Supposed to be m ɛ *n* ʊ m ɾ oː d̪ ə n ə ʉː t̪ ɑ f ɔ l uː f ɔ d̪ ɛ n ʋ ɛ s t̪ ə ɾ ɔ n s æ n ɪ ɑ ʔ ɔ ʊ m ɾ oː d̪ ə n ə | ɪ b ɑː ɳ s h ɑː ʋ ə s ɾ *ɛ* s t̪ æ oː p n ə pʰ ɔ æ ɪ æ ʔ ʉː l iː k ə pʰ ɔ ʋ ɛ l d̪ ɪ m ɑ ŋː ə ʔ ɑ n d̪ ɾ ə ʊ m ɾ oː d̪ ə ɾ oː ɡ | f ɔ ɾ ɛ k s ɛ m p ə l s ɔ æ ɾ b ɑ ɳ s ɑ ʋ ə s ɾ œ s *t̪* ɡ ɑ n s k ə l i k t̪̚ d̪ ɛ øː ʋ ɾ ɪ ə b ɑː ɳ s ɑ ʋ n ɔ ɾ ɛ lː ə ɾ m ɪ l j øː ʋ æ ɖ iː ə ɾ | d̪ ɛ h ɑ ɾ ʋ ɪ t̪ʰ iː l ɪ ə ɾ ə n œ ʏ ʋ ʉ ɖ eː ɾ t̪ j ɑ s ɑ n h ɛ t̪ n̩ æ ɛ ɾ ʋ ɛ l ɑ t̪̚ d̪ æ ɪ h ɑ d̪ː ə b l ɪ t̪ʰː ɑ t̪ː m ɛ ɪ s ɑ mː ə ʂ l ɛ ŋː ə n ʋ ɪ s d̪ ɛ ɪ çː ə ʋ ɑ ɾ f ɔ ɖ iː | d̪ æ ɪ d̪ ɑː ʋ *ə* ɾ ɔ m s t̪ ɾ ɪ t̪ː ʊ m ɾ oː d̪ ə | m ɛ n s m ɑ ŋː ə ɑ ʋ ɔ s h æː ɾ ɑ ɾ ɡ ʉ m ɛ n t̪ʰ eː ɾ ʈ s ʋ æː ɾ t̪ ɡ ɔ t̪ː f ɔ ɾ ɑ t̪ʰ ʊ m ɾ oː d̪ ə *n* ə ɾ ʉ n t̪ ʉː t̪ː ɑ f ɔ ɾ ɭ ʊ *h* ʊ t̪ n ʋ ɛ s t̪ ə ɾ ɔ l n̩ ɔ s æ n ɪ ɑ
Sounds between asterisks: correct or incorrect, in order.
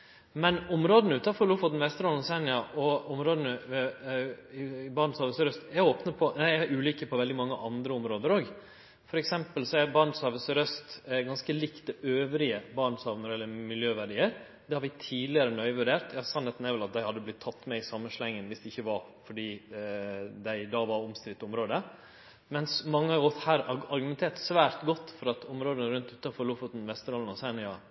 correct, incorrect: œ, correct, incorrect: ɑ, correct, incorrect: f

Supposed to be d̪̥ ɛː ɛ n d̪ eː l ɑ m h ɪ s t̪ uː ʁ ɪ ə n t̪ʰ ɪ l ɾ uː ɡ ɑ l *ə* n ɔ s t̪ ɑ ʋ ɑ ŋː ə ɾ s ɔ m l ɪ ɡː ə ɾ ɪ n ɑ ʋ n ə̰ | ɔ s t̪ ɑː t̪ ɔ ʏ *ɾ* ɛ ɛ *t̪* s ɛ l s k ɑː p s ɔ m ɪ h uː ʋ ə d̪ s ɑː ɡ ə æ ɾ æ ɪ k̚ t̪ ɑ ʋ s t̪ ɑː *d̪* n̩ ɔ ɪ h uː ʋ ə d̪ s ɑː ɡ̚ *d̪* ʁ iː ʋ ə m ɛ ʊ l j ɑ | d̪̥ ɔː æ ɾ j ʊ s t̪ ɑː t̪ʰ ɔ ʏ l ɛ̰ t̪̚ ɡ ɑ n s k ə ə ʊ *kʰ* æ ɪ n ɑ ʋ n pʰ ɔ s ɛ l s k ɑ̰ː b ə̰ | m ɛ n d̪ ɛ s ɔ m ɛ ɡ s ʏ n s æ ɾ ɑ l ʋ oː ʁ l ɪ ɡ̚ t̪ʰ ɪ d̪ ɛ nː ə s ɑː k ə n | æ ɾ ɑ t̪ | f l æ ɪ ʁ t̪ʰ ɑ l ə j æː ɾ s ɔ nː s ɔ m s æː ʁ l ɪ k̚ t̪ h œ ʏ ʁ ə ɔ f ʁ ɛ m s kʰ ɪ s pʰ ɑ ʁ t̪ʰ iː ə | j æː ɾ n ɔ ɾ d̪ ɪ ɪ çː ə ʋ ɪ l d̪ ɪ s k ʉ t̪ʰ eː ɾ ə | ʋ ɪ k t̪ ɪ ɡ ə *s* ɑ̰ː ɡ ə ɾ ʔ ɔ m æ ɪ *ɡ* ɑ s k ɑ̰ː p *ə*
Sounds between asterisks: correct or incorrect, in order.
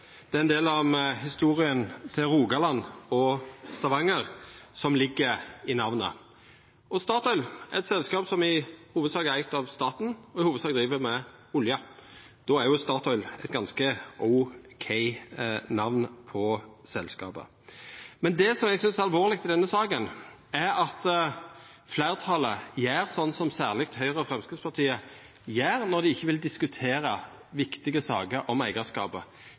incorrect: ɑ, incorrect: l, correct, incorrect: t̪, correct, correct, correct, correct, correct

